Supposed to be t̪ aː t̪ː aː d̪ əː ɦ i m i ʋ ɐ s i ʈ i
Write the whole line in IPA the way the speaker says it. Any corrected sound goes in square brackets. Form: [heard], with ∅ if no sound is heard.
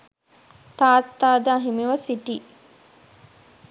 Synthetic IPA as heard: t̪ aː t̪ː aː d̪ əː ɦ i m i ʋ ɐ s i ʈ i